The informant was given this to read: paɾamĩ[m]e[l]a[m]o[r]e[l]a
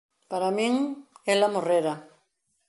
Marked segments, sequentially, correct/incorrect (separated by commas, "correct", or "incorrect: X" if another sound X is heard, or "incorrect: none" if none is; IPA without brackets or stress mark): incorrect: ŋ, correct, correct, correct, incorrect: ɾ